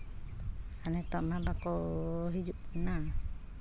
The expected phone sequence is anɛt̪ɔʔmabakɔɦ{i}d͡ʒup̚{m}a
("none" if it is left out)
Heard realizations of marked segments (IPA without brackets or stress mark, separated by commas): i, n